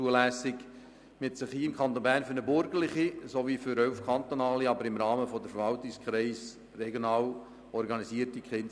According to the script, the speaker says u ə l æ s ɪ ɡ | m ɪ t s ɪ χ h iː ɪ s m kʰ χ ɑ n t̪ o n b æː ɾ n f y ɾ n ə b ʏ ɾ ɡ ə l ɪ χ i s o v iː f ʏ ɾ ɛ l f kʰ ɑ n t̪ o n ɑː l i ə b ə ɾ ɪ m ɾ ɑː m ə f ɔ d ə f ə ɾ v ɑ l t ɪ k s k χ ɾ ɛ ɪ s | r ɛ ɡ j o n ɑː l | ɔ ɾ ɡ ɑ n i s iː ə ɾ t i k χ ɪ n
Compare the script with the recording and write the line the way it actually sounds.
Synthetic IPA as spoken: u ə l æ s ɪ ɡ | m ɪ t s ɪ χ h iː ɪ m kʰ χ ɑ n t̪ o n b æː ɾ n f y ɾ n ə b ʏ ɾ ɡ ə l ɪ χ i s o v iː f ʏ ɾ œ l f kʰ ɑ n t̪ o n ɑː l i ɑ b ə ɾ ɪ m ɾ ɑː m ə f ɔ d ə f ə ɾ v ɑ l t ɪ k s k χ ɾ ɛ ɪ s | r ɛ ɡ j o n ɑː l | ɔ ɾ ɡ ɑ n i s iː ə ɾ t i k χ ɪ n